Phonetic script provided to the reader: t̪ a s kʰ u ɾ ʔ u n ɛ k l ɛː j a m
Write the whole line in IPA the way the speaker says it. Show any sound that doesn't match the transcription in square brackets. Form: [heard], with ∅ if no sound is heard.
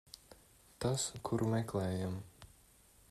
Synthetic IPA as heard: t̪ a s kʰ u ɾ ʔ u [m] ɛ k l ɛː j a m